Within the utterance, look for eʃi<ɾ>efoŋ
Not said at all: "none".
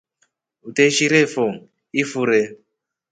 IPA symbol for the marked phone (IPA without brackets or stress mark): ɾ